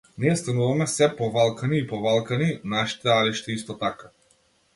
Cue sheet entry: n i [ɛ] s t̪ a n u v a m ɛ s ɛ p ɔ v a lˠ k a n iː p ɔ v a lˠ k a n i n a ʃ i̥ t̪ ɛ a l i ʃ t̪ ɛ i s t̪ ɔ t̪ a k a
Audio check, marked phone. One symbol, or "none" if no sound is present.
ɛ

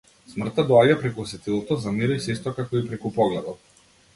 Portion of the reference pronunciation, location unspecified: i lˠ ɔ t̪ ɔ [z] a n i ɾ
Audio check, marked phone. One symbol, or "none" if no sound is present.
z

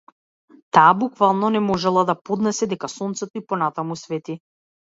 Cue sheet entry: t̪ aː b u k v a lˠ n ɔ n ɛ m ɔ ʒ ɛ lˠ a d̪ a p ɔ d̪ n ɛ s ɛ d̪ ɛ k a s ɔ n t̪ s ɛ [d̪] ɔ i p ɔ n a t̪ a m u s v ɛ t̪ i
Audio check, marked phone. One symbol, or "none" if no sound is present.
t̪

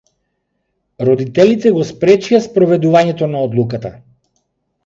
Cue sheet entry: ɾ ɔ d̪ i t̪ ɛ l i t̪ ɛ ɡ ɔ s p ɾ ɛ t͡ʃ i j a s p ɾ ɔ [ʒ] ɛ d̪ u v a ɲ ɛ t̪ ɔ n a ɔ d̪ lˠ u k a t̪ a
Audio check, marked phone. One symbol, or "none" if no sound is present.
v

